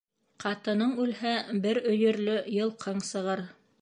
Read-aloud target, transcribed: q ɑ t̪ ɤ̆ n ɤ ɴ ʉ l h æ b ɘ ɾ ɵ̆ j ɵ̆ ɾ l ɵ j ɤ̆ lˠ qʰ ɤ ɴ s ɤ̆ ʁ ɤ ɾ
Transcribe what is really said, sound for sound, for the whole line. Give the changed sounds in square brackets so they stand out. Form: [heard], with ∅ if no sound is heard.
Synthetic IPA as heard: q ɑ t̪ ɤ̆ n ɤ ɴ ʉ l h æ b ɘ ɾ ɵ̆ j ɵ̆ ɾ l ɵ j ɤ̆ lˠ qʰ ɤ ɴ s ɤ̆ ʁ ɤ ɾ

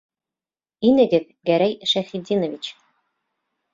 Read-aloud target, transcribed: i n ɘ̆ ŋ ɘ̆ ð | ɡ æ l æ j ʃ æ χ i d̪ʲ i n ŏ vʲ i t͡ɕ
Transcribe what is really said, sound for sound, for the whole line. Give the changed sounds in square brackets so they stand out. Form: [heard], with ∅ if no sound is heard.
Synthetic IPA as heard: i n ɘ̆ [ɡ] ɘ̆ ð | ɡ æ [ɾ] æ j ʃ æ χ i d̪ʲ i n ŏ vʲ i t͡ɕ

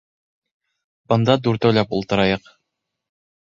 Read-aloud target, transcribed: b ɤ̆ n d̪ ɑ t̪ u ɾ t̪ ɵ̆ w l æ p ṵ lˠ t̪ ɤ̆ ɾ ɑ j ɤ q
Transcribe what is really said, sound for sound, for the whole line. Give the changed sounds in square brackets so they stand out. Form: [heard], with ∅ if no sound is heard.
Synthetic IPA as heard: b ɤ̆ n d̪ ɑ [d̪] u ɾ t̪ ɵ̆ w l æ p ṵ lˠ t̪ ɤ̆ ɾ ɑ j ɤ q

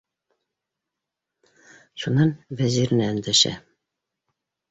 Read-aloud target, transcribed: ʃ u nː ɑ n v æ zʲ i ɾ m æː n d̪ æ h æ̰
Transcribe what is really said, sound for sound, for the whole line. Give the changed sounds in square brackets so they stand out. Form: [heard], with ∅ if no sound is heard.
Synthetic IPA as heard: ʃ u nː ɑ n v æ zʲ i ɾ [n] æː n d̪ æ [ʃ] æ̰

